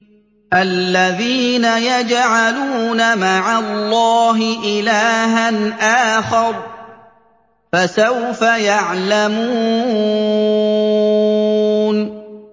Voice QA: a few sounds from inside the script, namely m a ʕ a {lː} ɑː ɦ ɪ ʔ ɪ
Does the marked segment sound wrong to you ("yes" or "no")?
no